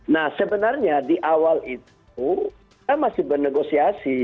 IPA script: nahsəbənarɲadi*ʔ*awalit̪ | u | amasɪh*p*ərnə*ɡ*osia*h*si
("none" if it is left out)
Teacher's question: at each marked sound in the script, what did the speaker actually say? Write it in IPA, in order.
ʔ, b, ɡ, none

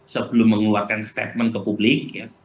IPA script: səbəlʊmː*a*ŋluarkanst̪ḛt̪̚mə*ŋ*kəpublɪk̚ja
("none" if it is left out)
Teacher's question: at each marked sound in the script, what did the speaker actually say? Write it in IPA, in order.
ə, n

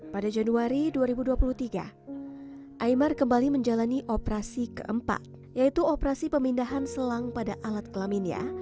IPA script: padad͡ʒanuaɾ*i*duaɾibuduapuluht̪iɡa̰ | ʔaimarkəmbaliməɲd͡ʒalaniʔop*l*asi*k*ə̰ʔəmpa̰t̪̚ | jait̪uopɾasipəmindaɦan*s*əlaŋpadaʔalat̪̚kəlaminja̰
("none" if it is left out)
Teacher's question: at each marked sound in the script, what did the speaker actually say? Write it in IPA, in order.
i, ɾ, k, s

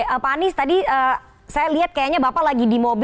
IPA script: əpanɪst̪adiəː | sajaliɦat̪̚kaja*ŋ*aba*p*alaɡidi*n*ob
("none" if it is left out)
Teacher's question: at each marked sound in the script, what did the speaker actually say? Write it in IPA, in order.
ɲ, p, m

